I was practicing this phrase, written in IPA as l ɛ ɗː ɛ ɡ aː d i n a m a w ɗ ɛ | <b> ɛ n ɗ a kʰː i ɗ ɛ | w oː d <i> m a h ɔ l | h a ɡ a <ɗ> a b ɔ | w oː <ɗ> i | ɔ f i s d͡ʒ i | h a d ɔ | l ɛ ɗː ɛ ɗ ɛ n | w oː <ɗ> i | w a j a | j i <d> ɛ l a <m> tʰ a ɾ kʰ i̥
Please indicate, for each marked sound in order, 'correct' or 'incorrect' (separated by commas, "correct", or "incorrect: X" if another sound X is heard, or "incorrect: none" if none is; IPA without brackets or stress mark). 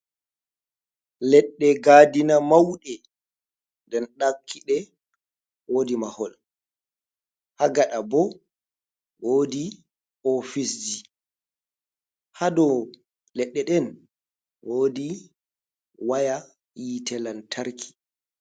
incorrect: d, correct, correct, incorrect: d, incorrect: d, incorrect: t, incorrect: n